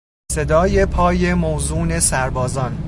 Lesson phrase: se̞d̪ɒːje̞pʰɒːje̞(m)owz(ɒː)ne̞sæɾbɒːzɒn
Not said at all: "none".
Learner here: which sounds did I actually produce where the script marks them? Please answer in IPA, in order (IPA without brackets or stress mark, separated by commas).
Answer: m, uː